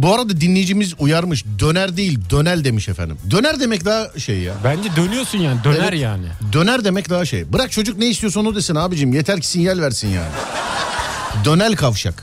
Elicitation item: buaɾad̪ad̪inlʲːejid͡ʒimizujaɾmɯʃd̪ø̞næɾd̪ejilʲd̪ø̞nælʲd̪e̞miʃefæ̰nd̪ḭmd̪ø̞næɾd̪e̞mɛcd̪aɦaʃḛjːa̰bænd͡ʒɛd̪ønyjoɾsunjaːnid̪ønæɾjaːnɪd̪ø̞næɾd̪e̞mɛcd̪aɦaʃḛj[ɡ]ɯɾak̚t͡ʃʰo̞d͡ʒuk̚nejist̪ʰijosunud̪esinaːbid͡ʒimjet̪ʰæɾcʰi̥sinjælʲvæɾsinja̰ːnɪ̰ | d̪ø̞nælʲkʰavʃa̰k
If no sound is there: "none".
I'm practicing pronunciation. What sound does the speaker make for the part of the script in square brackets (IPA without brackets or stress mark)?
b